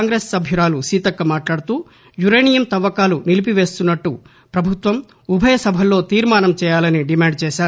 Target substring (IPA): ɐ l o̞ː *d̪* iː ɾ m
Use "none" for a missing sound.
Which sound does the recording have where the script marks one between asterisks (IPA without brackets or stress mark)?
t̪